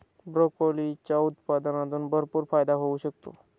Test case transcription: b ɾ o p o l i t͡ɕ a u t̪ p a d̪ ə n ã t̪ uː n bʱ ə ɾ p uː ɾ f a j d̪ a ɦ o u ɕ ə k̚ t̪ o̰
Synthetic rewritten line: b ɾ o k o l i t͡ɕ a u t̪ p a d̪ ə n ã t̪ uː n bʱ ə ɾ p uː ɾ f a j d̪ a ɦ o u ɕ ə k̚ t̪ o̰